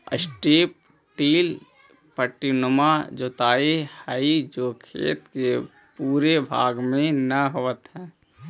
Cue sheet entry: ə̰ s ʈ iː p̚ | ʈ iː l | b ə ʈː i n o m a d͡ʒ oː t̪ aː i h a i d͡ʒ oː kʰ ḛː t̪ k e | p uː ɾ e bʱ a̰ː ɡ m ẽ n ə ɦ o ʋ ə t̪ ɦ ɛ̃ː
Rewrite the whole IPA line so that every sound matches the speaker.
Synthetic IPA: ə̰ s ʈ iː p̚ | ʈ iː l | p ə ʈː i n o m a d͡ʒ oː t̪ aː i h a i d͡ʒ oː kʰ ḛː t̪ k e | p uː ɾ e bʱ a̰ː ɡ m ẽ n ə ɦ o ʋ ə t̪ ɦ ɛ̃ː